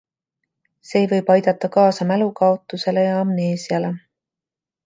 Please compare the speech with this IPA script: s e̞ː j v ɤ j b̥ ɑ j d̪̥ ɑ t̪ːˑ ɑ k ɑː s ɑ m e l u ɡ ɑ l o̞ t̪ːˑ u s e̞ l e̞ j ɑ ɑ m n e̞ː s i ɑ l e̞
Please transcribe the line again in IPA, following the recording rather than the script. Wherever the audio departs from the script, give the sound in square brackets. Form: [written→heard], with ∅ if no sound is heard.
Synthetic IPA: s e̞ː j v ɤ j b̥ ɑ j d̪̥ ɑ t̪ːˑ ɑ k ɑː s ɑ m [e→æ] l u [ɡ→k] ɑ [l→∅] o̞ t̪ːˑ u s e̞ l e̞ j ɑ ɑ m n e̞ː s i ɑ l e̞